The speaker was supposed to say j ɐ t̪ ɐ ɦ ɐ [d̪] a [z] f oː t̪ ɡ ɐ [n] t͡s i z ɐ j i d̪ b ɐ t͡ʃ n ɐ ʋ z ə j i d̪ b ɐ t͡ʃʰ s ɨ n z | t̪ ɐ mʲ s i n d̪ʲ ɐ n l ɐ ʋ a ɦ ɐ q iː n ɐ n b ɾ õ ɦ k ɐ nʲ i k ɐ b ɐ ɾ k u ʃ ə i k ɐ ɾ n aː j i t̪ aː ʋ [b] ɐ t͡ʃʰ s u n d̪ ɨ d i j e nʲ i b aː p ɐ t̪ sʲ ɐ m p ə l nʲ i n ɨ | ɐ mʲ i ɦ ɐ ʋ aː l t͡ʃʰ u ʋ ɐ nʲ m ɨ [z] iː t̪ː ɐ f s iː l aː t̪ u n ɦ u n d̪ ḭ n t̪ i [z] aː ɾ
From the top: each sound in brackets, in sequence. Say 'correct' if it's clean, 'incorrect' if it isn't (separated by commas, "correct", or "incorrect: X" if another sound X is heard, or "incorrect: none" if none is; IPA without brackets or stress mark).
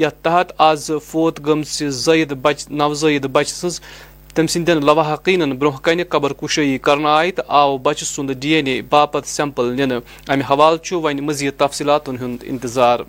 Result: incorrect: t̪, correct, incorrect: m, correct, correct, correct